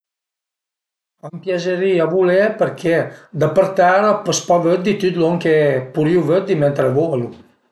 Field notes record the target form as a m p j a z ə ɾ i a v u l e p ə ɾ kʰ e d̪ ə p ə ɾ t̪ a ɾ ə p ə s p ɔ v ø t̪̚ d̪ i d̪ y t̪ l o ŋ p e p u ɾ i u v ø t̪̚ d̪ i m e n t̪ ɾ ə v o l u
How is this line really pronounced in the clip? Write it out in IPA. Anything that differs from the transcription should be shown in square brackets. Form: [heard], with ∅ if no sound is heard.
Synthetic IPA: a m p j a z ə ɾ i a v u l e p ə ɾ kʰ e d̪ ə p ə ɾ t̪ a ɾ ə p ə s p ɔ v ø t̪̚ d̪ i [t̪] y t̪ l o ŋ [k] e p u ɾ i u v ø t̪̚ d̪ i m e n t̪ ɾ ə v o l u